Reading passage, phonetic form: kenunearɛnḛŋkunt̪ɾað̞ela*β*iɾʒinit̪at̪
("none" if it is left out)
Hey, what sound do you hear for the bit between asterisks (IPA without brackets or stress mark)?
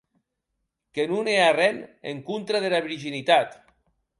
β